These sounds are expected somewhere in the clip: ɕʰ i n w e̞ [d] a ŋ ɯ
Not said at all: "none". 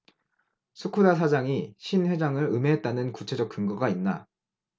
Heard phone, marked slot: d͡ʑ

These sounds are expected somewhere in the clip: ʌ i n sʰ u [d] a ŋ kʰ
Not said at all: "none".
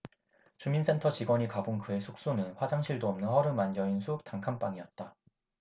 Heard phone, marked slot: t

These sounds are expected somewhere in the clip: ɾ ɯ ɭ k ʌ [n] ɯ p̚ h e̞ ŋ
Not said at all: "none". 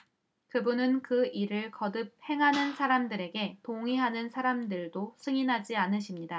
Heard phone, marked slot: d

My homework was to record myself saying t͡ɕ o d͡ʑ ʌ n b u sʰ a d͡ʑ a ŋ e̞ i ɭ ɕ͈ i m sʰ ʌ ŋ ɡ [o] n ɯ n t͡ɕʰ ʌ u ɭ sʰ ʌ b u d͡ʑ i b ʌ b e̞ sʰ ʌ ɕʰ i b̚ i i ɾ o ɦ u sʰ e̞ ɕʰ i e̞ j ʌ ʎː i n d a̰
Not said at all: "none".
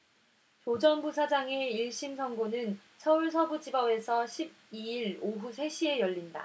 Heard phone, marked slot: o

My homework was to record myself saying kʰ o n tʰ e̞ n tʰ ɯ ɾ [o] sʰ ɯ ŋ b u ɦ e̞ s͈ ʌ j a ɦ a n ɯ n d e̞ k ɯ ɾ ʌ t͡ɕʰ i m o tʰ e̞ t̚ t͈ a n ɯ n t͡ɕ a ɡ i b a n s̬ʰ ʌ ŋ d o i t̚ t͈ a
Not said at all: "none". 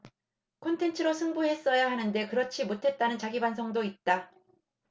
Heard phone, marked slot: o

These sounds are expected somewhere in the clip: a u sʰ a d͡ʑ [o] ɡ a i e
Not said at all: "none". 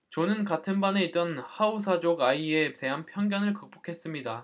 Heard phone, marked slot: o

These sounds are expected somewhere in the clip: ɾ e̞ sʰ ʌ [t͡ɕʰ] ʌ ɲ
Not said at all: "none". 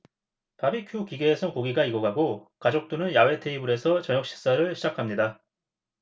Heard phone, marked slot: t͡ɕ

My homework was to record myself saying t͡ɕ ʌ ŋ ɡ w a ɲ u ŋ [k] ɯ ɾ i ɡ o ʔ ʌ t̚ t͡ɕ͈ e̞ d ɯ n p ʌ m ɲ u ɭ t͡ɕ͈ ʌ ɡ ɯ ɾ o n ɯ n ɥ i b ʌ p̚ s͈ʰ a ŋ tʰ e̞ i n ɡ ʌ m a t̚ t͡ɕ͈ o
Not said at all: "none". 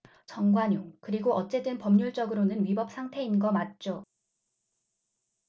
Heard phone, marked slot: k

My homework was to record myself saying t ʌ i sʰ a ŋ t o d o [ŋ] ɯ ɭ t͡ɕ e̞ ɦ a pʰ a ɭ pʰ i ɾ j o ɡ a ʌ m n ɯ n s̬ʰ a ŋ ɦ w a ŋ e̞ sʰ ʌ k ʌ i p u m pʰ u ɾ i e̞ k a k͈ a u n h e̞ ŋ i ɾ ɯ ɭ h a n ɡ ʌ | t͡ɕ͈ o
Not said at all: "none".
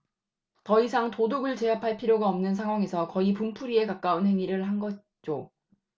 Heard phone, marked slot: ɡ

